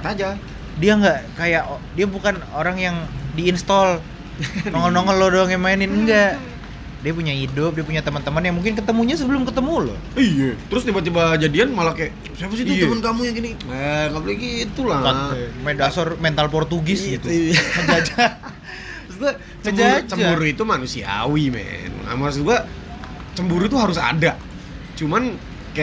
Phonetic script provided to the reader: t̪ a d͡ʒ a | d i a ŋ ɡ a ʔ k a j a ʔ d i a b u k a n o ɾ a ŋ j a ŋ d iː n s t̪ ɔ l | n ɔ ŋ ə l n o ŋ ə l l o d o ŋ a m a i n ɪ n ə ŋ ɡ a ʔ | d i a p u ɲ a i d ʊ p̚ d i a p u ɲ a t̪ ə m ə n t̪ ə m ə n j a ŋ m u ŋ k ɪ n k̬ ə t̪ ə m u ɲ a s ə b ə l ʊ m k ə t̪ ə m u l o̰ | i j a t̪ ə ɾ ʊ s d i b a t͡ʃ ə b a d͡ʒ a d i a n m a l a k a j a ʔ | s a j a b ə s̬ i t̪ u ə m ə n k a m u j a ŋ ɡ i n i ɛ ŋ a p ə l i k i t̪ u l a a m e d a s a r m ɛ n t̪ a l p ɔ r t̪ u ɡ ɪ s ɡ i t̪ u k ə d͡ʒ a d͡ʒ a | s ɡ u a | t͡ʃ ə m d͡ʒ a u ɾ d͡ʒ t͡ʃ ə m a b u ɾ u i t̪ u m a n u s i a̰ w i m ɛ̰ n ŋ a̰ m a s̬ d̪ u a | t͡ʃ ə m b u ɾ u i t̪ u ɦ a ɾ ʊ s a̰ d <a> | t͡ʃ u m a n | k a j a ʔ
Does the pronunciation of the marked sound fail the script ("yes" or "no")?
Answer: no